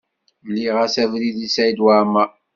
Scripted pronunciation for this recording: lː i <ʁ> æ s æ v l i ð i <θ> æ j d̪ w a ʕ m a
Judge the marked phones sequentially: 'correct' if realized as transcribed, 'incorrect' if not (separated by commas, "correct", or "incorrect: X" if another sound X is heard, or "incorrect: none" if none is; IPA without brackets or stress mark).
correct, incorrect: s